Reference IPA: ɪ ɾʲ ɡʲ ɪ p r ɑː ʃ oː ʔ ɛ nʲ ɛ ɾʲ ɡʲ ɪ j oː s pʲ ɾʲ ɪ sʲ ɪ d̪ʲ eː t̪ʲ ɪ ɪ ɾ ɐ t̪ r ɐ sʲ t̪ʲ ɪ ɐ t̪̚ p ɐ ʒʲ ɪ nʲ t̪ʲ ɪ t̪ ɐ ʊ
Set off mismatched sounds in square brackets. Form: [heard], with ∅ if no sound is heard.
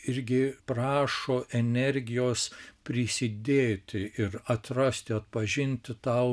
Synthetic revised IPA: ɪ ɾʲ ɡʲ ɪ p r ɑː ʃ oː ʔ ɛ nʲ ɛ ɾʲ ɡʲ ɪ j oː s pʲ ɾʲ ɪ sʲ ɪ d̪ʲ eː t̪ʲ ɪ ɪ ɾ ɐ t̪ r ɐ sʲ t̪ʲ ɪ ɐ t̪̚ p ɐ ʒʲ ɪ nʲ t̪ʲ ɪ t̪ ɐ ʊ